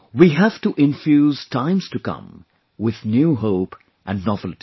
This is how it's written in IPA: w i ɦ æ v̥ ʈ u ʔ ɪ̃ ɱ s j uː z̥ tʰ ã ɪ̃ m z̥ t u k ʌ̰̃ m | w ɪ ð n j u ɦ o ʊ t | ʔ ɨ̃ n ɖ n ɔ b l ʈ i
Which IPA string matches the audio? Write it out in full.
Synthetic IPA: w i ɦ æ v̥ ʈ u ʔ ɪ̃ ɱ f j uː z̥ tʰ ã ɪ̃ m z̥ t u k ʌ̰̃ m | w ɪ ð n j u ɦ o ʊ p | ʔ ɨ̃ n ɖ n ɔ v l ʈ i